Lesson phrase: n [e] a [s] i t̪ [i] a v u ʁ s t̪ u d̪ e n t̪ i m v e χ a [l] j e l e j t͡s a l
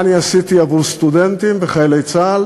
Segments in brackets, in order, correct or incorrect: incorrect: i, correct, correct, incorrect: none

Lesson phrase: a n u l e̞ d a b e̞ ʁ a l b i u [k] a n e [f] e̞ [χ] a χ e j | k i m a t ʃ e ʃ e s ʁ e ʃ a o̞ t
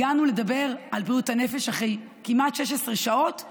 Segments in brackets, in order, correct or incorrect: incorrect: t, correct, incorrect: ʃ

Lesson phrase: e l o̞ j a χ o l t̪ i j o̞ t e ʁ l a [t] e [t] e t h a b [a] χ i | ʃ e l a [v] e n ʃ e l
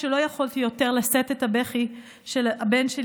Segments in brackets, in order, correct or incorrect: incorrect: s, correct, incorrect: e, incorrect: b

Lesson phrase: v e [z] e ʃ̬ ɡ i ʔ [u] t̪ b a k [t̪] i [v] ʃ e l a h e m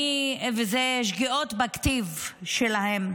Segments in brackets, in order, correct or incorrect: correct, incorrect: o, correct, correct

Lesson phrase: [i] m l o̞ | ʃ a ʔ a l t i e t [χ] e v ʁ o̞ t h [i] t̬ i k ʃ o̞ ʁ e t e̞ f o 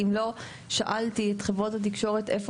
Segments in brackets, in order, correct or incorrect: correct, correct, incorrect: a

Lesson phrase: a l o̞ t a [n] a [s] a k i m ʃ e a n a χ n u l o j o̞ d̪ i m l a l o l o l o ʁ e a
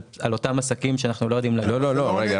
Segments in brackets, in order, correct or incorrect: incorrect: m, correct

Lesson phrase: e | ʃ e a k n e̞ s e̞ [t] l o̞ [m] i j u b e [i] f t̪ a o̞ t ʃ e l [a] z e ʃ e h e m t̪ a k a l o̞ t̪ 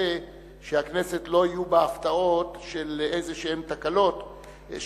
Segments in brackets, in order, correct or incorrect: correct, incorrect: none, incorrect: a, incorrect: e

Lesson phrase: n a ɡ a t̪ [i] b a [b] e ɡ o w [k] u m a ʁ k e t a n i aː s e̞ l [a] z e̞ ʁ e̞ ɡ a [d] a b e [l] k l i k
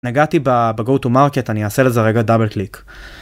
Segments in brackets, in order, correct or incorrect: correct, correct, incorrect: t, incorrect: e, correct, correct

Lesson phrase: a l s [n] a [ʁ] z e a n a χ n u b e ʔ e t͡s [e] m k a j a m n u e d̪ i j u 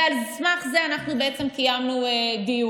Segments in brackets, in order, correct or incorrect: incorrect: m, incorrect: χ, correct

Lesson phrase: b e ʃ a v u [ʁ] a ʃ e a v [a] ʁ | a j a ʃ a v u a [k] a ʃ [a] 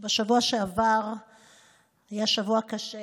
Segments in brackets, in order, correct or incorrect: incorrect: none, correct, correct, incorrect: e

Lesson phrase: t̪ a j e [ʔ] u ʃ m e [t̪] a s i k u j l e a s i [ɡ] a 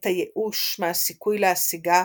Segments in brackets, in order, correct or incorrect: correct, incorrect: none, correct

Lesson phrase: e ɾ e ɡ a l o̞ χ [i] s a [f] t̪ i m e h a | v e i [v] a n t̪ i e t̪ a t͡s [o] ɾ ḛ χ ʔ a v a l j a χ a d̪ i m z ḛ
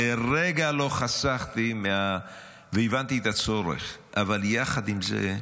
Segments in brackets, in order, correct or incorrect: incorrect: a, incorrect: χ, correct, correct

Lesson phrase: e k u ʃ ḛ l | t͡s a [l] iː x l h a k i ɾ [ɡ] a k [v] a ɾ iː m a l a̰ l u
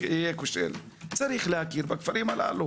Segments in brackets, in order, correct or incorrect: incorrect: ɾ, incorrect: b, incorrect: f

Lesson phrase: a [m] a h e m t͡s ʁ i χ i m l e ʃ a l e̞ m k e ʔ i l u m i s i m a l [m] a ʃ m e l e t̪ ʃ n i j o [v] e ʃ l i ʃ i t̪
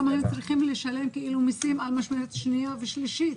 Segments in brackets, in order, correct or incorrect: correct, correct, correct

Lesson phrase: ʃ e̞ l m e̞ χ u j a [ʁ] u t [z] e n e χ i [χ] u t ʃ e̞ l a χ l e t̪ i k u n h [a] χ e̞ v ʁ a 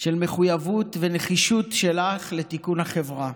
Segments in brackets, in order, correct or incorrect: incorrect: v, incorrect: v, incorrect: ʃ, correct

